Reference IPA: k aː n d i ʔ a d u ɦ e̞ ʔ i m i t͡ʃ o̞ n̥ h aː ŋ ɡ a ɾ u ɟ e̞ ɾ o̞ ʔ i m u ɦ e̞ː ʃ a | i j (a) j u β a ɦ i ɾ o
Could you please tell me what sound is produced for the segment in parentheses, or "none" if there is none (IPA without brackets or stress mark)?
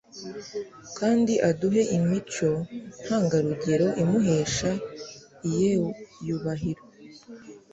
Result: e